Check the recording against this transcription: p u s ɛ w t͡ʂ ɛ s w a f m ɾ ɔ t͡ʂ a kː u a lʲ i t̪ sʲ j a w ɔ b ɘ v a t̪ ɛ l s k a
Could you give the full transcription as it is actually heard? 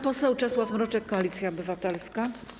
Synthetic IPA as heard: p ɔ s ɛ w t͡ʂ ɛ s w a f m ɾ ɔ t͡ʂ ɛ kː ɔ a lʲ i t̪ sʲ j a ɔ b ɘ v a t̪ ɛ l s k a